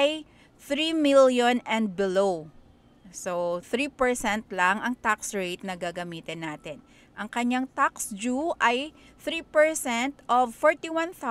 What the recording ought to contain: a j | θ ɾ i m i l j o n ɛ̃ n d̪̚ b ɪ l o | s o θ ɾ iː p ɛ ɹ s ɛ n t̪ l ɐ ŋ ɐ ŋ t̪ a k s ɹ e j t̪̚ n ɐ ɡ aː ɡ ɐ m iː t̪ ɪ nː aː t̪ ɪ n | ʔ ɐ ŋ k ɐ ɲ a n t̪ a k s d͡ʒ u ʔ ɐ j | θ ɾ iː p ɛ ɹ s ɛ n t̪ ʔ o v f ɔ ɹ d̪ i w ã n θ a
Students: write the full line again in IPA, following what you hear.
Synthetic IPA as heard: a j | θ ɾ i m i l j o n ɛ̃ n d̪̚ b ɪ l o | s o θ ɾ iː p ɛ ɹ s ɛ n t̪ l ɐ ŋ ɐ ŋ t̪ a k s ɹ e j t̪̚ n ɐ ɡ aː ɡ ɐ m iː t̪ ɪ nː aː t̪ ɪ n | ʔ ɐ ŋ k ɐ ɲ a ŋ t̪ a k s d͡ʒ u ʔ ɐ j | θ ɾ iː p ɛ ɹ s ɛ n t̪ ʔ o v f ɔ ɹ t̪ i w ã n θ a